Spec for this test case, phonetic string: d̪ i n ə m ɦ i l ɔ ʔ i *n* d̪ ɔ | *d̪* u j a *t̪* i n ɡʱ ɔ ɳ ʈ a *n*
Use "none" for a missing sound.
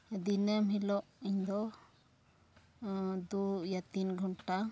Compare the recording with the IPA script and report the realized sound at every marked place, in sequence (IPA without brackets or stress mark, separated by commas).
ɲ, d̪, t̪, none